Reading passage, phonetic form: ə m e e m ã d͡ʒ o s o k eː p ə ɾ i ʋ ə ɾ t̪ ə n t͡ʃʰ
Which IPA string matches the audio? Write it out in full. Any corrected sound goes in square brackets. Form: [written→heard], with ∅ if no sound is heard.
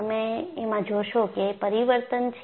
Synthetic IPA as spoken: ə m e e m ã d͡ʒ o [s→ʃ] o k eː p ə ɾ i ʋ ə ɾ t̪ ə n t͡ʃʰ